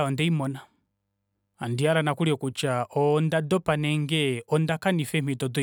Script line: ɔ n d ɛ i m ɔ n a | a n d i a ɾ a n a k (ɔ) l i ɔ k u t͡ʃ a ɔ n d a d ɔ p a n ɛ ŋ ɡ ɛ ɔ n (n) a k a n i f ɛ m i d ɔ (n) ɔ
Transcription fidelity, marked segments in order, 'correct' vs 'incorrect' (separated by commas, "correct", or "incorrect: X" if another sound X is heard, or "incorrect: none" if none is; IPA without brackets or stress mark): incorrect: u, incorrect: d, incorrect: d